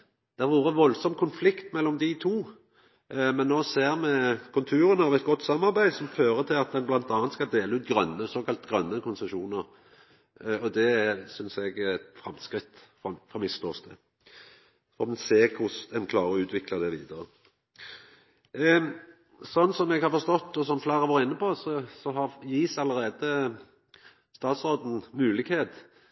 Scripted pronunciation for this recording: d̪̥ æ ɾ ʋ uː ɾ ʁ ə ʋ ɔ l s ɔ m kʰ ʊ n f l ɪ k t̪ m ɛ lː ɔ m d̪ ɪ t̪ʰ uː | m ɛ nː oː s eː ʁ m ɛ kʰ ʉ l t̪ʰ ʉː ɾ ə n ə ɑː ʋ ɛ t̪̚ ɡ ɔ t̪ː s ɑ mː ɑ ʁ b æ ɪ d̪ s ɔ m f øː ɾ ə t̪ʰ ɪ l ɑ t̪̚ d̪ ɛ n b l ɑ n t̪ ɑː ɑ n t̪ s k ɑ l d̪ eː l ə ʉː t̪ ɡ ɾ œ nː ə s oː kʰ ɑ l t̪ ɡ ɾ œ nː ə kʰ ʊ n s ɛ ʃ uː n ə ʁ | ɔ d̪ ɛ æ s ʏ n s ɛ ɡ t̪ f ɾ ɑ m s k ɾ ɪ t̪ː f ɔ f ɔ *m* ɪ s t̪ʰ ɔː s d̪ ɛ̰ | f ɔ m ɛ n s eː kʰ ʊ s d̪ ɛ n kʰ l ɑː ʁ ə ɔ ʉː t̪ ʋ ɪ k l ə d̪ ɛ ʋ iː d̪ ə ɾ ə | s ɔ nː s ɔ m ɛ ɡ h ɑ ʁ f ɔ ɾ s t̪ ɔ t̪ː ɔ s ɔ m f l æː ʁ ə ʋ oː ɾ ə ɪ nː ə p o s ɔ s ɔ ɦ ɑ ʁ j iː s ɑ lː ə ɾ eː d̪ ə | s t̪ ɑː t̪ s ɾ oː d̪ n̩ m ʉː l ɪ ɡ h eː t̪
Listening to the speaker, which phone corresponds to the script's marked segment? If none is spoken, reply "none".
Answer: m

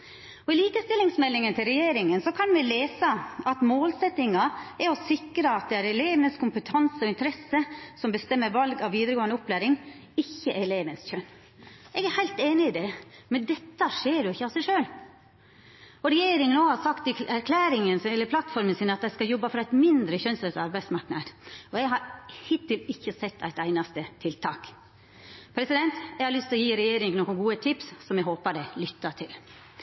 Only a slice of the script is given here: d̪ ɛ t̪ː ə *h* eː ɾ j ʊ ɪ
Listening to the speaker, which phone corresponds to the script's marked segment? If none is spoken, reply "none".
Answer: ʂ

